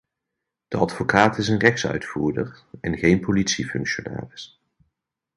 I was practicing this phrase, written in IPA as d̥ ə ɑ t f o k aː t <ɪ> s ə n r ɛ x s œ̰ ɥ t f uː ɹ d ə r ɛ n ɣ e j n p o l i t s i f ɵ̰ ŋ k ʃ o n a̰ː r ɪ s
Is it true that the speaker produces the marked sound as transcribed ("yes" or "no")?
yes